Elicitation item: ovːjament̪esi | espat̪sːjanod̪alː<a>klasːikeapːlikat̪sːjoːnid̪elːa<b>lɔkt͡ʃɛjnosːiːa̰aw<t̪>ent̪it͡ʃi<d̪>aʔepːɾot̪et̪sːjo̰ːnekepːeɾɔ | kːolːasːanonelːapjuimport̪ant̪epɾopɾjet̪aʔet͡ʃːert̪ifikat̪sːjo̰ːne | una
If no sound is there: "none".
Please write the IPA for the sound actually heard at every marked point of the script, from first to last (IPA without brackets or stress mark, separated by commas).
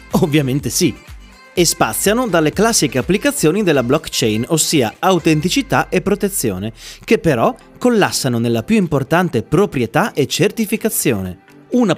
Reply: e, b, t̪, t̪